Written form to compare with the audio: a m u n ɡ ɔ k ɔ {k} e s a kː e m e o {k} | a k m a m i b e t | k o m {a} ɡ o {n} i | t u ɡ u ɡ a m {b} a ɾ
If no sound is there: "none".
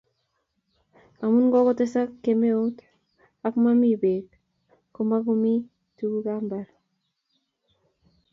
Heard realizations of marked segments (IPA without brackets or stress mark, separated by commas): t, t, a, m, b